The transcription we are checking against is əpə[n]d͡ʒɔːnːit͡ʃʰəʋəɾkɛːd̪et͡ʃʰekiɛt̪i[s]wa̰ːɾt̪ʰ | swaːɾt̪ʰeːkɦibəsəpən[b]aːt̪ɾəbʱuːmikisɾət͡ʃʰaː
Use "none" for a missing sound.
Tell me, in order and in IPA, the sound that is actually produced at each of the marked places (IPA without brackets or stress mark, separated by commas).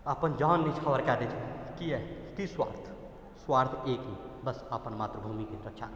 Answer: n, s, m